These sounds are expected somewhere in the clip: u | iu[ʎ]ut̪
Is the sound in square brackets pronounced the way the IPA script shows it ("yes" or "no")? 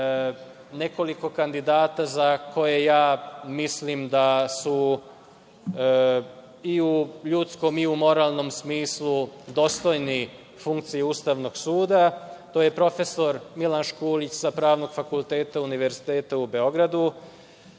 yes